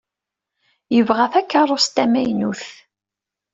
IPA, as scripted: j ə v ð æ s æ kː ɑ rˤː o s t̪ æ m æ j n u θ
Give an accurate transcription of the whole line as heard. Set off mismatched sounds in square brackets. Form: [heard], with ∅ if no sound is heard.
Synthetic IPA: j ə v [ʁ] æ [θ] æ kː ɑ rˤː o s t̪ æ m æ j n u θ